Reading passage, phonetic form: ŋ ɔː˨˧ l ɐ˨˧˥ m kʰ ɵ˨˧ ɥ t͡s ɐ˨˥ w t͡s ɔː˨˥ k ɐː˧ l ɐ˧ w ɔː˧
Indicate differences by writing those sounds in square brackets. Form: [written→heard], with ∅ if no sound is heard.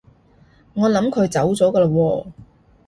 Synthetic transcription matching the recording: ŋ ɔː˨˧ l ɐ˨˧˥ m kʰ ɵ˨˧ ɥ t͡s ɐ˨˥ w t͡s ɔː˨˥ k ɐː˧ l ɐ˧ w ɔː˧

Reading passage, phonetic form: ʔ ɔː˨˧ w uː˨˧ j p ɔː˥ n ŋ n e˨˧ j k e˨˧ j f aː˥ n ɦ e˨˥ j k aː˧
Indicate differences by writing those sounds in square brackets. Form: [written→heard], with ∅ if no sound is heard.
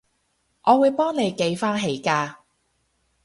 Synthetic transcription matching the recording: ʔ ɔː˨˧ w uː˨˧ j p ɔː˥ [n→∅] ŋ n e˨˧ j k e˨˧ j f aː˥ n ɦ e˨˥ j k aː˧

